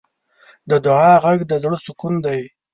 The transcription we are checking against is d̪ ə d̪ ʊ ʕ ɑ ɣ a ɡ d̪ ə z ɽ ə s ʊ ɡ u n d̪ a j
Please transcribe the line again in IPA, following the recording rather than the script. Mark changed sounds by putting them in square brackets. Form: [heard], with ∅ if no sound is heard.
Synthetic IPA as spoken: d̪ ə d̪ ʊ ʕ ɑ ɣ a ɡ d̪ ə z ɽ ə s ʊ [k] u n d̪ a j